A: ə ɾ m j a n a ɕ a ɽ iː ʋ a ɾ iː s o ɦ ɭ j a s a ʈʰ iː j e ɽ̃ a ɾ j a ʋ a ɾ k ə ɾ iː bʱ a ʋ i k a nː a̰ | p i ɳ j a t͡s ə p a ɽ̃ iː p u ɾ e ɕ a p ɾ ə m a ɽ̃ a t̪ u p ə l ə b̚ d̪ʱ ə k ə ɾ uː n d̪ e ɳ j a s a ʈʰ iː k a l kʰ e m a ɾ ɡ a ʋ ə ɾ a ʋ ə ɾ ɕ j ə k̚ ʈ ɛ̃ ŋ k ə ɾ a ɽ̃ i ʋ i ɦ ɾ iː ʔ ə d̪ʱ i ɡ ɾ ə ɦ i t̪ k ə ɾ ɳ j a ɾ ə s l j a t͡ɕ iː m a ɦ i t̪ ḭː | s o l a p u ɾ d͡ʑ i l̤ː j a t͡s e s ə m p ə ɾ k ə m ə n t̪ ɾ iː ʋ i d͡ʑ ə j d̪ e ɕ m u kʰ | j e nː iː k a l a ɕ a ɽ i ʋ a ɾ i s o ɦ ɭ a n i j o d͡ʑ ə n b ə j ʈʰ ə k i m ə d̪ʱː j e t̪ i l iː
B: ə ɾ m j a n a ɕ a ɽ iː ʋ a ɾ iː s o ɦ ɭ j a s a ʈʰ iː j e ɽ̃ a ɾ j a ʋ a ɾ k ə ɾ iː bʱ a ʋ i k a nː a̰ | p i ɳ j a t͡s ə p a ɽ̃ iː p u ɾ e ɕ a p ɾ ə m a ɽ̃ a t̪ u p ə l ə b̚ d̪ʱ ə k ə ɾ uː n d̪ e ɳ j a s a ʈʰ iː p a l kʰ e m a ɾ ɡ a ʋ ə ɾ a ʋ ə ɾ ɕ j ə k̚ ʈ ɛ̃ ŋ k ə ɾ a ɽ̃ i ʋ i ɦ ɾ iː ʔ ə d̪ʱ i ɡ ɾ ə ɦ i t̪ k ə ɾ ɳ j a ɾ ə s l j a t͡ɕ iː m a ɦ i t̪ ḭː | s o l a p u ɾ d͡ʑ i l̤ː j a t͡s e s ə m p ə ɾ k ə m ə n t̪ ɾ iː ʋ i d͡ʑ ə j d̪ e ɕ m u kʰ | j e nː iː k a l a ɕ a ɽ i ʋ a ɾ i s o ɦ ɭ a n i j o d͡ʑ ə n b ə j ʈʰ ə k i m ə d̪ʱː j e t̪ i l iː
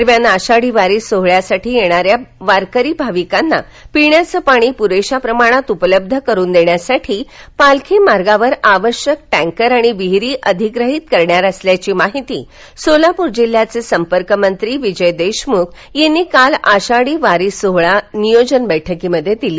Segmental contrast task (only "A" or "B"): B